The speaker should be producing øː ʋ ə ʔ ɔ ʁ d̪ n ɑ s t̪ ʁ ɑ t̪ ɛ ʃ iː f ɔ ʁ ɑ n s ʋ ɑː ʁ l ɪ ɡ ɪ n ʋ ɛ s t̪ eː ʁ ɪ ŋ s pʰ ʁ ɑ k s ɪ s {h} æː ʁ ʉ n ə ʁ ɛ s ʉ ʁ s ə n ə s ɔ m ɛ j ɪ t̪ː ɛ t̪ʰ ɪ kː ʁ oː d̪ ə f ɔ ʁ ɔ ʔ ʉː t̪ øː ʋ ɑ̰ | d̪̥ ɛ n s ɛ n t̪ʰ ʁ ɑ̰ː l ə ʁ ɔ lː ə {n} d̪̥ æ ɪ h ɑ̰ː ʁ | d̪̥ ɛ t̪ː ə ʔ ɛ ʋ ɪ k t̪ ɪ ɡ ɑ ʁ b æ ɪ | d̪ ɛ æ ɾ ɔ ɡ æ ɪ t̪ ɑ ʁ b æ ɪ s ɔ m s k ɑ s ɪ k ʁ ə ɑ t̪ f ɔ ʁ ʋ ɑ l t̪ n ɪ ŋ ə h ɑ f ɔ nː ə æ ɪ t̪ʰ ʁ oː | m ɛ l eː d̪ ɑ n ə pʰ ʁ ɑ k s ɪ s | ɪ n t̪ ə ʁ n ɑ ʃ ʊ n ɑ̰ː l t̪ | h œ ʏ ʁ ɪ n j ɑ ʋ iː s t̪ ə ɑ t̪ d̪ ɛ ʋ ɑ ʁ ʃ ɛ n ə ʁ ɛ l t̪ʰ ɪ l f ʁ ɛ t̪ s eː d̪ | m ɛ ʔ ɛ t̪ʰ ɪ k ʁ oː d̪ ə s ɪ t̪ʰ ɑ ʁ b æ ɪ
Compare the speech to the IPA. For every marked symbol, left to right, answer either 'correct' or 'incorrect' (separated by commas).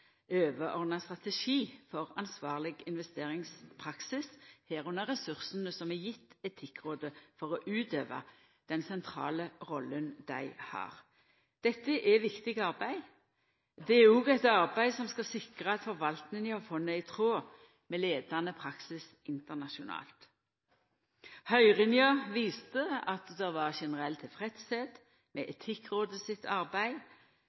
correct, correct